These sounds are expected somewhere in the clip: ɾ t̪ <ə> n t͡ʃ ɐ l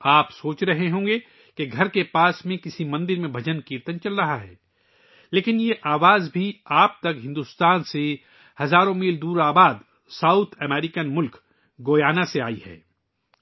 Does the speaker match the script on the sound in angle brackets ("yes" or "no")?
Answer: yes